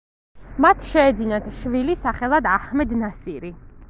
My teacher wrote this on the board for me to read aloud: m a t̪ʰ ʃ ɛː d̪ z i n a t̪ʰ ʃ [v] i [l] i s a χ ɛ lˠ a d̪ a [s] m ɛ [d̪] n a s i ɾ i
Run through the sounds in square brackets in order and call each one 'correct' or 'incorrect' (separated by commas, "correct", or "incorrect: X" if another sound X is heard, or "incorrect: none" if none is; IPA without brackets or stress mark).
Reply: correct, correct, incorrect: h, correct